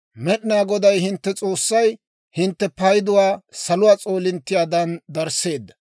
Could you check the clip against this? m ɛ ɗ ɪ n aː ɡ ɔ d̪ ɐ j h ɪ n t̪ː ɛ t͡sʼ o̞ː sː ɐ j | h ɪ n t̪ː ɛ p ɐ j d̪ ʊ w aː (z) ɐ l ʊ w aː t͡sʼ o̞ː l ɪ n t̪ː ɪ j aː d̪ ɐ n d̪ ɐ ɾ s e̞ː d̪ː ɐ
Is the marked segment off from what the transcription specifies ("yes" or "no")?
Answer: yes